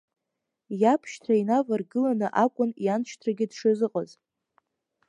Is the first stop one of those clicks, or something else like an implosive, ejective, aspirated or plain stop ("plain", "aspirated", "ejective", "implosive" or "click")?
aspirated